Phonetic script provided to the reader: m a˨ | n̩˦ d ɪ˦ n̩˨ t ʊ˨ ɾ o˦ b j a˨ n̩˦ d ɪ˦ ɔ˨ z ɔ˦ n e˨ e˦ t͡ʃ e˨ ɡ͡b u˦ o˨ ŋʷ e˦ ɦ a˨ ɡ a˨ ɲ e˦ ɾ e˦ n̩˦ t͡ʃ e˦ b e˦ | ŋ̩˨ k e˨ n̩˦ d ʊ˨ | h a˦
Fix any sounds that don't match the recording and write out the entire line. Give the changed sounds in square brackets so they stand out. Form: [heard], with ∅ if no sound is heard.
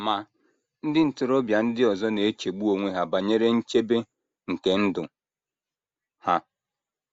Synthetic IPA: m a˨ | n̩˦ d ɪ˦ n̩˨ t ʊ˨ ɾ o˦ b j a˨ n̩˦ d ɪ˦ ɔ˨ z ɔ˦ n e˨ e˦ t͡ʃ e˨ ɡ͡b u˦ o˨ ŋʷ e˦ ɦ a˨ [b] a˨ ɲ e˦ ɾ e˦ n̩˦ t͡ʃ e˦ b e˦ | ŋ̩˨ k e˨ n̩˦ d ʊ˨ | h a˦